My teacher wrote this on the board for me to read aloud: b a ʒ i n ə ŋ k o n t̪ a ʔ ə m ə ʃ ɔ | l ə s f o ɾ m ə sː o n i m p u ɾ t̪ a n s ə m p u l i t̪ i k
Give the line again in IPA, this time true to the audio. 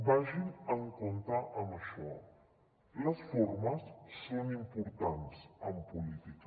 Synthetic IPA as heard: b a ʒ i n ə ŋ k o n t̪ a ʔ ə m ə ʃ ɔ | l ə s f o ɾ m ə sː o n i m p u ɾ t̪ a n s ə m p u l i t̪ i k